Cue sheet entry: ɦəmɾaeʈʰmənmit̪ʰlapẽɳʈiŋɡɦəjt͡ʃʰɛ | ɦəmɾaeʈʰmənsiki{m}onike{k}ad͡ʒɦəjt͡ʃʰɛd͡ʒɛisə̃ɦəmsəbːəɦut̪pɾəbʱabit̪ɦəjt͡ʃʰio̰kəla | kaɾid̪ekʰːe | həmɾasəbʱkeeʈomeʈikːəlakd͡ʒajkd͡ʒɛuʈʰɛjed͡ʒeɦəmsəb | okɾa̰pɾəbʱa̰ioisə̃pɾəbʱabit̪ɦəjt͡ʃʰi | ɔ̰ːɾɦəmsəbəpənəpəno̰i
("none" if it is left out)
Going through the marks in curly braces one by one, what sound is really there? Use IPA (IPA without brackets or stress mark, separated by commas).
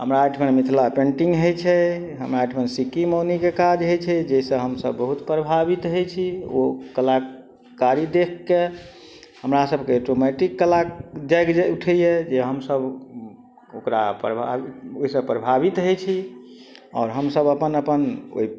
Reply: m, k